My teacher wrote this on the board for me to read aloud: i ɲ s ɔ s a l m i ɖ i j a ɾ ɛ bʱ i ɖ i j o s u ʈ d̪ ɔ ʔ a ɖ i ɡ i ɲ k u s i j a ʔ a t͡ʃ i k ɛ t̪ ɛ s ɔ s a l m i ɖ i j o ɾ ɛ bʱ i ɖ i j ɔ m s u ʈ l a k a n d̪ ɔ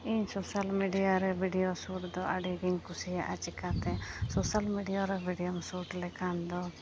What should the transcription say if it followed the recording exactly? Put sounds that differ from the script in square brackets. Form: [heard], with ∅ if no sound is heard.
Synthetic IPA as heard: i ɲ s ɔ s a l m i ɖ i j a ɾ ɛ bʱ i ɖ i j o s u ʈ d̪ ɔ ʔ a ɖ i ɡ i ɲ k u s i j a ʔ a t͡ʃ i k [a] t̪ ɛ s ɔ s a l m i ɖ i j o ɾ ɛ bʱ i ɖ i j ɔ m s u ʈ l [ɛ] k a n d̪ ɔ